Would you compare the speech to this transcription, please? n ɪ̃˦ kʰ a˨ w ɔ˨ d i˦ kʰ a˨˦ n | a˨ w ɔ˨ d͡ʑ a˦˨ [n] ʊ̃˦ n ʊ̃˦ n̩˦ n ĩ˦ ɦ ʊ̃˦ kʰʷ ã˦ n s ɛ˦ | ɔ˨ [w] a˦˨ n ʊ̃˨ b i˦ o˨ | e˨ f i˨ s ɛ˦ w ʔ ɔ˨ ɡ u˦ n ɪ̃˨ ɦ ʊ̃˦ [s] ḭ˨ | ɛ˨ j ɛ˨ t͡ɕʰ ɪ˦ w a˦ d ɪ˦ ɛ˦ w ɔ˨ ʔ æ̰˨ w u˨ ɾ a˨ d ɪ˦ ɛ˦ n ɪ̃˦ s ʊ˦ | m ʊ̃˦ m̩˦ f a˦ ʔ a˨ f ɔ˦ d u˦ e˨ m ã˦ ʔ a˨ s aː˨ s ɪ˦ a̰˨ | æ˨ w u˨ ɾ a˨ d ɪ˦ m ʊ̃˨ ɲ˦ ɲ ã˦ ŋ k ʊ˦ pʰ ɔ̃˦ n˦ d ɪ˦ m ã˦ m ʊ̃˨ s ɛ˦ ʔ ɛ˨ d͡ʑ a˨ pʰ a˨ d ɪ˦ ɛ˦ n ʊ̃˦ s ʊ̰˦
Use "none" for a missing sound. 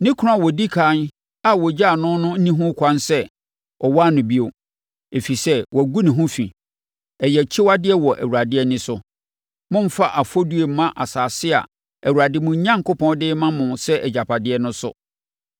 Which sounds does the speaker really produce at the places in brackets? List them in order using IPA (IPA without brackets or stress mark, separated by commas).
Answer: n, w, f